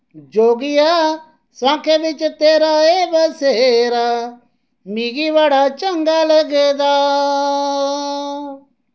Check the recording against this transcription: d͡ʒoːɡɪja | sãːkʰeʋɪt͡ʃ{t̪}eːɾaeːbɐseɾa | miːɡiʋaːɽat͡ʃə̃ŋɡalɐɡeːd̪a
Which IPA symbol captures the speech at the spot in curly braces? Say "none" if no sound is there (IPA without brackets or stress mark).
t̪